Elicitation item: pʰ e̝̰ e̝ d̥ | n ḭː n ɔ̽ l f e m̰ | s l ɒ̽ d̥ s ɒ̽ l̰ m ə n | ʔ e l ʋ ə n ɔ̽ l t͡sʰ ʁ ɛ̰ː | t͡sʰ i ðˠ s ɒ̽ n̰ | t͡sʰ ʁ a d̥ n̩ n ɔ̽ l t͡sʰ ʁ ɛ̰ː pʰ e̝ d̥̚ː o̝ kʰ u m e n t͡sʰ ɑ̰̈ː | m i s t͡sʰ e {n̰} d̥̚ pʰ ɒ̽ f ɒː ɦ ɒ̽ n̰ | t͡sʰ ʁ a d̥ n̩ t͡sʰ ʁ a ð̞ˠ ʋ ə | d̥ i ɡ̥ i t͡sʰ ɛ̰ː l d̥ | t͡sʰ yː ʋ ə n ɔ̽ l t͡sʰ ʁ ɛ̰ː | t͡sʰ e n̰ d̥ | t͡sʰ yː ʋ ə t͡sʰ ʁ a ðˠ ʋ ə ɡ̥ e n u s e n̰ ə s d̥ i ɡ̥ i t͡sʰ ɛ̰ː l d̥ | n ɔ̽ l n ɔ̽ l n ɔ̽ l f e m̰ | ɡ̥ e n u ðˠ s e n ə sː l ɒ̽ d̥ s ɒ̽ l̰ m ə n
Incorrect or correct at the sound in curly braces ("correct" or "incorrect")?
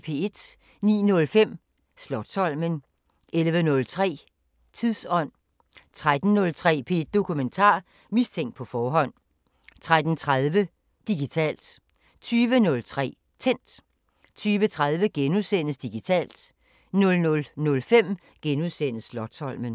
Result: incorrect